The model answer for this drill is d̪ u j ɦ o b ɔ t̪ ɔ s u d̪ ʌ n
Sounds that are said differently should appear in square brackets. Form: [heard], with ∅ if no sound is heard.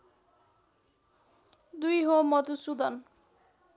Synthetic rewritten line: d̪ u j ɦ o [m] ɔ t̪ [u] s u d̪ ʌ n